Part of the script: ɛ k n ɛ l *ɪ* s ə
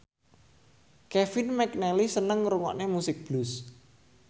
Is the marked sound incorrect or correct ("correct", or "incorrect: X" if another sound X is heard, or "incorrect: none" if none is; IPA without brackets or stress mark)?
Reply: incorrect: i